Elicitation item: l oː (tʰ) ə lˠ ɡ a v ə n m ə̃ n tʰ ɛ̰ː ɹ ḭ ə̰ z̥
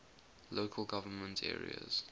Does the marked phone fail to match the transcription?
yes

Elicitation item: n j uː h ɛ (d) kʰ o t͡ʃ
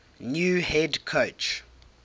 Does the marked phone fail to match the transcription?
no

